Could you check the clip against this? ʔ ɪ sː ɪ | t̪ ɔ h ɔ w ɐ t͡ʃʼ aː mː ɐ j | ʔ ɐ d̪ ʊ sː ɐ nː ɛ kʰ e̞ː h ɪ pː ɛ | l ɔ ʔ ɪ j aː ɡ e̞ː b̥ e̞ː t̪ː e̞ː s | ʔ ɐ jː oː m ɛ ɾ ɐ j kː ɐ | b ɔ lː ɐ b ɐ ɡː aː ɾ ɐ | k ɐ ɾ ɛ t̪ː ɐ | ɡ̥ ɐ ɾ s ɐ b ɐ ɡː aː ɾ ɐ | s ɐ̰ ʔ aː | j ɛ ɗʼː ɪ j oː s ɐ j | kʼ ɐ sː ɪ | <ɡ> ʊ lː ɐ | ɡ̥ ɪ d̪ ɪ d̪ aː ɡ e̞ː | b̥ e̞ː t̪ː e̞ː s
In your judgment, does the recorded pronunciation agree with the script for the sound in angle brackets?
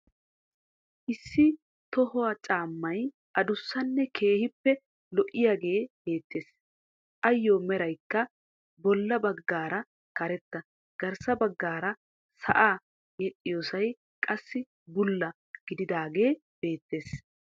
no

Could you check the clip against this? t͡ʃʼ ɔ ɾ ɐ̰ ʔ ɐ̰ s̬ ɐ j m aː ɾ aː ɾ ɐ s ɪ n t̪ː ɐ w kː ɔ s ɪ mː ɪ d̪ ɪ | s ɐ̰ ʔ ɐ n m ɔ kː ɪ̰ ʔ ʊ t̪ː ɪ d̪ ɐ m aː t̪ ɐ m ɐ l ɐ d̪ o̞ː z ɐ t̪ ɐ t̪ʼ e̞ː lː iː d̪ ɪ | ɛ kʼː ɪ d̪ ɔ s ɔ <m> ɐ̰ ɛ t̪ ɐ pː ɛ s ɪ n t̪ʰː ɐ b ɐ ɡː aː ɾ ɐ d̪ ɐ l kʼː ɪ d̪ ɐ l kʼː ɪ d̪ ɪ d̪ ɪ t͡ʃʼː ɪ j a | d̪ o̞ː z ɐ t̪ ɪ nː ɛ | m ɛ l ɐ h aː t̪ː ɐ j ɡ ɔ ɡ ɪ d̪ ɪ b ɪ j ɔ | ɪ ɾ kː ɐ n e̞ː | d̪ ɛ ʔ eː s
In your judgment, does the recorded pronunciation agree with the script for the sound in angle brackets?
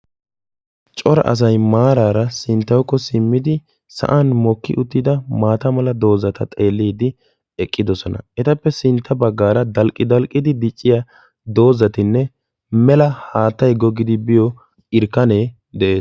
no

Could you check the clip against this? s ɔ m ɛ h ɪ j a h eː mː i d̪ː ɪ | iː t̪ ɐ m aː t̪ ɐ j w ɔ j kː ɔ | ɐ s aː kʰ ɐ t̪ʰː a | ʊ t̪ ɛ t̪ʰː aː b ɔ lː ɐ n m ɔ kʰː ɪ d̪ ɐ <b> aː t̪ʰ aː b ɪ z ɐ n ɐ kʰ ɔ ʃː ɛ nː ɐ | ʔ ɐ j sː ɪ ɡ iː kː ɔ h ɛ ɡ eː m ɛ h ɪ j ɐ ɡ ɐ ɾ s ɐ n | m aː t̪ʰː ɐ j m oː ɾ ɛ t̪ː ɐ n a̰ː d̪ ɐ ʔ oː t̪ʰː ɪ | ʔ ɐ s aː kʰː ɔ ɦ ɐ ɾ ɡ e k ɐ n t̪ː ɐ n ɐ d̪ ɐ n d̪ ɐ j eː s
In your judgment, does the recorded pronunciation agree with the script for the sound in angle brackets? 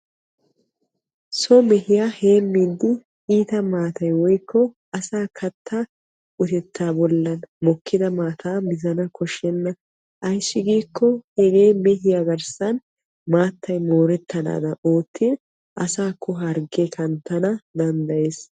no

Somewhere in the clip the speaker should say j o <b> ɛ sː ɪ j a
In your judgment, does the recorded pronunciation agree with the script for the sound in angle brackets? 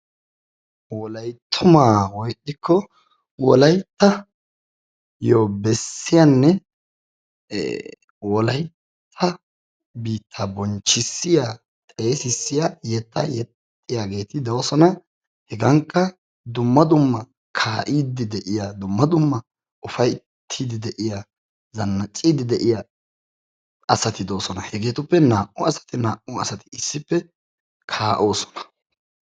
yes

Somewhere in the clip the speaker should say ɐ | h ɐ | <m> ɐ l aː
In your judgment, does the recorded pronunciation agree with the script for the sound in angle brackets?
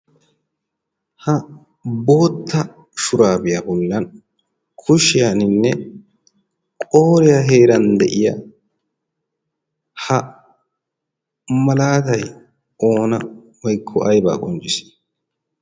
yes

